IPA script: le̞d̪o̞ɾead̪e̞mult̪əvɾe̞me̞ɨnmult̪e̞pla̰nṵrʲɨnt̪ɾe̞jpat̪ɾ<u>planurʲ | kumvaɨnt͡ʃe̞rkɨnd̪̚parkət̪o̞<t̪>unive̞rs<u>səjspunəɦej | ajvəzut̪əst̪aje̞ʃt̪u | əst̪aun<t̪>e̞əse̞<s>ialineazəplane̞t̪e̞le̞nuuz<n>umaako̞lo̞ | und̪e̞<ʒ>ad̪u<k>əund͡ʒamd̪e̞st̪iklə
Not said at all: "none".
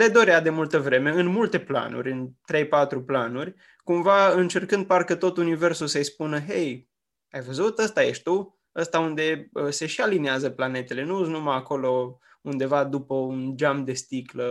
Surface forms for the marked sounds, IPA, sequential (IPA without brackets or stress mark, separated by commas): u, t̪, u, d̪, ʃ, n, v, p